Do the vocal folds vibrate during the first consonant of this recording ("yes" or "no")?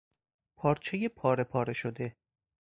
no